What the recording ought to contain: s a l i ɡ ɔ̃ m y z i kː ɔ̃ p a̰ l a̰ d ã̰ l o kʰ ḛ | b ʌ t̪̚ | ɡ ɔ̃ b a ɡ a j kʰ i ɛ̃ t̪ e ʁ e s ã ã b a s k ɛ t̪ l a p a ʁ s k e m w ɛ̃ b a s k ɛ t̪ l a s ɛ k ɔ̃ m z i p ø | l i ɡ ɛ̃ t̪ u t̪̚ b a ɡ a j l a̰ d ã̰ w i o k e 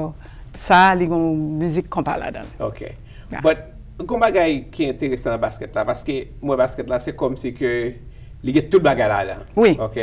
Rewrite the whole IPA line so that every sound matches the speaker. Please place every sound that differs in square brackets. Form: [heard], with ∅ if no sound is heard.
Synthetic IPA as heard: s a l i ɡ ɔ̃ m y z i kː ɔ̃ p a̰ l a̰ d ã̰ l o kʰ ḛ | b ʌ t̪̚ | ɡ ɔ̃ b a ɡ a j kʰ i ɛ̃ t̪ e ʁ e s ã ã b a s k ɛ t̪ l a p a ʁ s k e m w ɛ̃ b a s k ɛ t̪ l a s ɛ k [ɔ] m [s] i [k] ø | l i ɡ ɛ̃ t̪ u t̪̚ b a ɡ a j l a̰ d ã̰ w i o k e